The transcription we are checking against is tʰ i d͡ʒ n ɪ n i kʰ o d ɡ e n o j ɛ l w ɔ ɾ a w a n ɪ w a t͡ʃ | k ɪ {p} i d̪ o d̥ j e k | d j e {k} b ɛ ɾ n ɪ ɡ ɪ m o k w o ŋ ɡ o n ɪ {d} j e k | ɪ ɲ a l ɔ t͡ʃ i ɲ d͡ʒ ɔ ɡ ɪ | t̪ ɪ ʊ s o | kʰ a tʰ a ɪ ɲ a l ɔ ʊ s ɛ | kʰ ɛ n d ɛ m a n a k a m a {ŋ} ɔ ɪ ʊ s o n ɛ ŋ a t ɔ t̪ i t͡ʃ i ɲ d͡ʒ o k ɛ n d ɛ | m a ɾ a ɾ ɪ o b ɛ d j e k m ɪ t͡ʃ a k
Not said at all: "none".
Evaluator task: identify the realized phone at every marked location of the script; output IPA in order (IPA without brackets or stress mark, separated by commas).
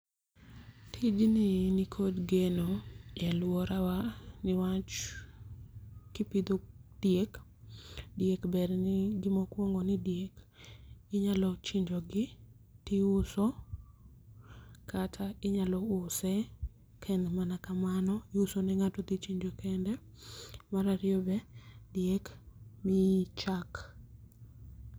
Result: p, k, d, n